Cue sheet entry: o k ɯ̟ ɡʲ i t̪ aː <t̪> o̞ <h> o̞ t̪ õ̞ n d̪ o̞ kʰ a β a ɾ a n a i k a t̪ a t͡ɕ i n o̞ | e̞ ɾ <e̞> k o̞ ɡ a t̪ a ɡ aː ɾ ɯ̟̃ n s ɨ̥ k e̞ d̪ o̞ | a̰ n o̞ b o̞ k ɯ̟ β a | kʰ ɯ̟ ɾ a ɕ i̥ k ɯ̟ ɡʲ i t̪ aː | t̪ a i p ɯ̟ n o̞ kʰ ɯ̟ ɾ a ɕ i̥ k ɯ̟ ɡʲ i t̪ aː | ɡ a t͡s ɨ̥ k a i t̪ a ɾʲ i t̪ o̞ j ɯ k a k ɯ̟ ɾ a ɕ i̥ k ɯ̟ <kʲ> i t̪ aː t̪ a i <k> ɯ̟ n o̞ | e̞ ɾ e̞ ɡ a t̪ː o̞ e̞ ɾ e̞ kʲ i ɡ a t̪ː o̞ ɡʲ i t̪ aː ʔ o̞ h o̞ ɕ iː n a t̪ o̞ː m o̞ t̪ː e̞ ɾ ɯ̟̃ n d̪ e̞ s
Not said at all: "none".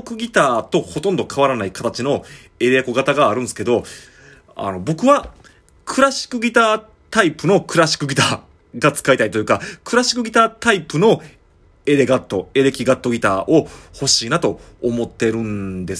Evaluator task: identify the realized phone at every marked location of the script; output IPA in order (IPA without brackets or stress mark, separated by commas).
t̪, h, e̞, ɡʲ, p